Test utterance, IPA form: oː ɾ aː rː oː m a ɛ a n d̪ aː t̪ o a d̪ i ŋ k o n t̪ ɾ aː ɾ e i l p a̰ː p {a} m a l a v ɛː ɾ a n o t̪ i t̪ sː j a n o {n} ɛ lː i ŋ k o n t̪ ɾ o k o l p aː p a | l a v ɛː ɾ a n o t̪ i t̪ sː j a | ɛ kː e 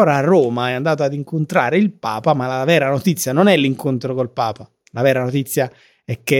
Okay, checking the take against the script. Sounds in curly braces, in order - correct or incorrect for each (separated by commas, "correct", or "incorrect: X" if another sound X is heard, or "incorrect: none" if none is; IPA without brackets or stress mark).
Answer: correct, correct